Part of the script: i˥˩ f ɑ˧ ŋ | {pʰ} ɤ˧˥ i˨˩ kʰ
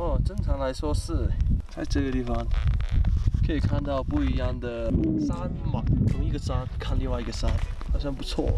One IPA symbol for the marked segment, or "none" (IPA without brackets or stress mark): kʰ